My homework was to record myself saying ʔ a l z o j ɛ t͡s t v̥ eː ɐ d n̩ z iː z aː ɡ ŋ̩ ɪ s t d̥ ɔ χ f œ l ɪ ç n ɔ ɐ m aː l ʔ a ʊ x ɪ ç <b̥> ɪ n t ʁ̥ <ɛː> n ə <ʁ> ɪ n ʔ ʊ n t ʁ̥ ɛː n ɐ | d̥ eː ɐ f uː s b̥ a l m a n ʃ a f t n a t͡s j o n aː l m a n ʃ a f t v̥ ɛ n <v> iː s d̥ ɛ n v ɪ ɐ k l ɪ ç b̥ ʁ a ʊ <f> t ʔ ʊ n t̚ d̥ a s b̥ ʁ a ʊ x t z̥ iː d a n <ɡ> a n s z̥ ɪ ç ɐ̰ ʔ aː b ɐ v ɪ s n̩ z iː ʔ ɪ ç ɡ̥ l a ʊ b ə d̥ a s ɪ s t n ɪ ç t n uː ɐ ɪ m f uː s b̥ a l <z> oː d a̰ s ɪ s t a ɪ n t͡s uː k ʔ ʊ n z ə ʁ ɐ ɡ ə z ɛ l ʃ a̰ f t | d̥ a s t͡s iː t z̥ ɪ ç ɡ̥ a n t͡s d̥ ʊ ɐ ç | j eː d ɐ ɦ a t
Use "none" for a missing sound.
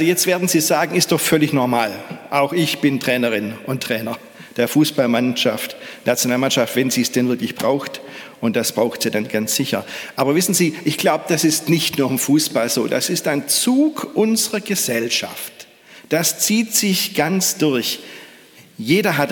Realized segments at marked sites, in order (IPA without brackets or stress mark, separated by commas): b̥, ɛː, ʁ, z, x, ɡ, z